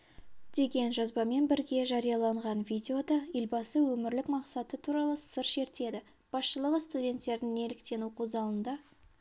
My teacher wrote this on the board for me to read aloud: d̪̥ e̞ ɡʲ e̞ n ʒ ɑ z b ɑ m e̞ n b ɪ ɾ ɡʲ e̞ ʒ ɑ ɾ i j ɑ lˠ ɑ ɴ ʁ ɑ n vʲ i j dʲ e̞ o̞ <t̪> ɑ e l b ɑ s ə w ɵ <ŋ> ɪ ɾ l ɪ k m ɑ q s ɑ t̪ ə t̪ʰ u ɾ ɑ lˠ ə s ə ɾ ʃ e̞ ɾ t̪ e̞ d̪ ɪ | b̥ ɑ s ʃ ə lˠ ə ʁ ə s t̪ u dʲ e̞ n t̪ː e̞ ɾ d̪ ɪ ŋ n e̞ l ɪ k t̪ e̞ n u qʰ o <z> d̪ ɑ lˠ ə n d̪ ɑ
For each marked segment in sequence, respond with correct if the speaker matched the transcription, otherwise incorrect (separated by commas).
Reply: incorrect, incorrect, correct